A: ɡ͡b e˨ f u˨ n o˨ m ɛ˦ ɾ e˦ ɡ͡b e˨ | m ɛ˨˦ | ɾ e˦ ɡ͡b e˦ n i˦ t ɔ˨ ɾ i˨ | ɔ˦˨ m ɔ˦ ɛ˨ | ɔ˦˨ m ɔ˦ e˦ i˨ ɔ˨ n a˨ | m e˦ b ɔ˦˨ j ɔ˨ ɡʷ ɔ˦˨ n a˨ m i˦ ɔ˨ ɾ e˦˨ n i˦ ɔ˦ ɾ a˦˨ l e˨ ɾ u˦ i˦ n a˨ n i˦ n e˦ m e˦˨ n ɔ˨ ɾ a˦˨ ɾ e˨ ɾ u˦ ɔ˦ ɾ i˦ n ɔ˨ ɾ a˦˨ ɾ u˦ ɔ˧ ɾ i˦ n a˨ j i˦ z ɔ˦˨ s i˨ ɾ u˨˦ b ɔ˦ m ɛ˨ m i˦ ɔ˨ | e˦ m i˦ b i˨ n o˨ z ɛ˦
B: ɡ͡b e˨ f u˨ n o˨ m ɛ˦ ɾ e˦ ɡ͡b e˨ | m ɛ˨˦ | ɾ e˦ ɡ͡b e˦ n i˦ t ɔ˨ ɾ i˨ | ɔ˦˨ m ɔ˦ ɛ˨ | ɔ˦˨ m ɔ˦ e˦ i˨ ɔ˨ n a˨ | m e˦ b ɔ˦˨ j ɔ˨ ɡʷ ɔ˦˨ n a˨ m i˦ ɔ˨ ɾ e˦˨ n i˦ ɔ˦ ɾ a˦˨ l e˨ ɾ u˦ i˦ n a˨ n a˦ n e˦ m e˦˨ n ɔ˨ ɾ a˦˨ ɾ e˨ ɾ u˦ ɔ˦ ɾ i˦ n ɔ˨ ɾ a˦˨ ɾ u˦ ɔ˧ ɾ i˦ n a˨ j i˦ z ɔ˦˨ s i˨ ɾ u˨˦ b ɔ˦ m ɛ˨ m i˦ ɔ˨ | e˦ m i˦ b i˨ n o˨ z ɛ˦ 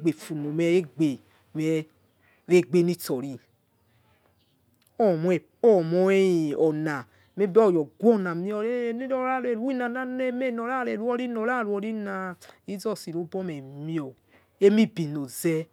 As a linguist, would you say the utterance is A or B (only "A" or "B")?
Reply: B